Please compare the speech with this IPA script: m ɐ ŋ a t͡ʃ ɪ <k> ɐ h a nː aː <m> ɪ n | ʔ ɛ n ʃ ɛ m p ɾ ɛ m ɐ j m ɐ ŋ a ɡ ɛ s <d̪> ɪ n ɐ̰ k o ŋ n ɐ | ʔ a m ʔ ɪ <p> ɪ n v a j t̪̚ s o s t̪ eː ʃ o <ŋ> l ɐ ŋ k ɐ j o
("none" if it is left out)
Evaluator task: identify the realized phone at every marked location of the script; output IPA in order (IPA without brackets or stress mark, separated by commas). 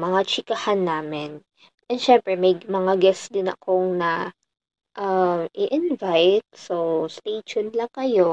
k, m, d̪, ʔ, n